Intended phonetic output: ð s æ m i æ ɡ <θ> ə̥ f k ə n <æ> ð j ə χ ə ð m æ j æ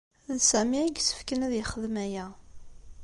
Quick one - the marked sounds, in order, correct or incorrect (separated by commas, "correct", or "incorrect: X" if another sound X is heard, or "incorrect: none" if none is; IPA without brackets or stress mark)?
incorrect: s, correct